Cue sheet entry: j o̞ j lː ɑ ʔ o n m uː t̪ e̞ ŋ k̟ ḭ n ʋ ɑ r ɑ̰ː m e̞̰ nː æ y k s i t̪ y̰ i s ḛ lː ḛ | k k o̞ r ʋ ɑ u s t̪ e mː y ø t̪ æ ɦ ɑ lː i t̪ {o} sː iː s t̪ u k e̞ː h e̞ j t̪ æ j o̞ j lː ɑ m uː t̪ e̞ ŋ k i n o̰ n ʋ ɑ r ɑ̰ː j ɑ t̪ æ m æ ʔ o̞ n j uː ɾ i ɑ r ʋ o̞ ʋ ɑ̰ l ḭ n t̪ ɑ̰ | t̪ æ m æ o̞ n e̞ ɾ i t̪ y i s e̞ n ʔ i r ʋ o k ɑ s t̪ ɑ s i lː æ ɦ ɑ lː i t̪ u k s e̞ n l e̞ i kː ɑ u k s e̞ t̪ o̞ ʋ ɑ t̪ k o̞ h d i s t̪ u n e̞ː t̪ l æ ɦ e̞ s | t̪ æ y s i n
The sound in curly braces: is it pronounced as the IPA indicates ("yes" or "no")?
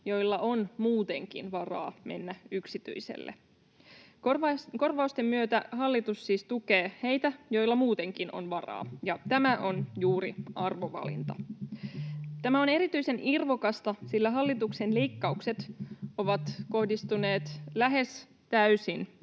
no